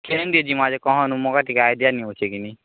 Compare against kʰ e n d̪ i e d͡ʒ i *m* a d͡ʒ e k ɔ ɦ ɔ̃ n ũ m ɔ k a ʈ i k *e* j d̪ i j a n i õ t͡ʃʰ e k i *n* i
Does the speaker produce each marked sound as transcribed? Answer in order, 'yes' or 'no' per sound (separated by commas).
yes, no, yes